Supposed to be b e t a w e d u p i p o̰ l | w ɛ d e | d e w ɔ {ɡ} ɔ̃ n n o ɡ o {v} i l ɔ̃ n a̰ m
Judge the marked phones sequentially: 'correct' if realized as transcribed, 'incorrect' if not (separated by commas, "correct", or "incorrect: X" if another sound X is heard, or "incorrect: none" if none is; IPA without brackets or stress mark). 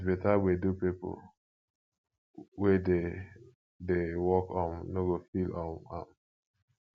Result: incorrect: k, incorrect: f